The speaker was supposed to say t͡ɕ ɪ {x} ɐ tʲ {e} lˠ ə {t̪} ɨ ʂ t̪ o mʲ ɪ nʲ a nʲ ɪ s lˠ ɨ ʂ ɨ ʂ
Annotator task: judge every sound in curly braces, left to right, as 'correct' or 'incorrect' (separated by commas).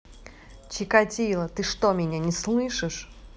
incorrect, incorrect, correct